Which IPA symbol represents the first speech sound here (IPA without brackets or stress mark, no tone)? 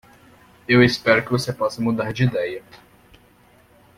e